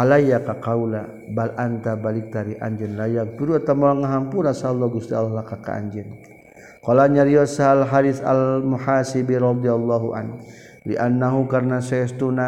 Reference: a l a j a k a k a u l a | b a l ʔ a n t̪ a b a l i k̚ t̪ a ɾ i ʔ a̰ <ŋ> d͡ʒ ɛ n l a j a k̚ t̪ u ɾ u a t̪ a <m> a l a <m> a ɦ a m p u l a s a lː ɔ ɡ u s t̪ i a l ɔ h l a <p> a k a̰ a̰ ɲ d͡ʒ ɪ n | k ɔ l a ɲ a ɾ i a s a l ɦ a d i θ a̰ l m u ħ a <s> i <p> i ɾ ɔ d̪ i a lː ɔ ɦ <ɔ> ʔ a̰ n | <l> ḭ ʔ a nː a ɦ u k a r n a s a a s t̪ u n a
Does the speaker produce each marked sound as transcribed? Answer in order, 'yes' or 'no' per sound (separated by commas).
no, yes, no, no, yes, no, no, yes